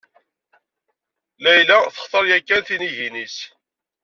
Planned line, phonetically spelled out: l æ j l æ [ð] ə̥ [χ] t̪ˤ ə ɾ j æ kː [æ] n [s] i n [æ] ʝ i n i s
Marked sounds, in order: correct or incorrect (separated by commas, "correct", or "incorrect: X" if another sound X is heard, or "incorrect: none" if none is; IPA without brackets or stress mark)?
incorrect: θ, correct, correct, incorrect: θ, incorrect: i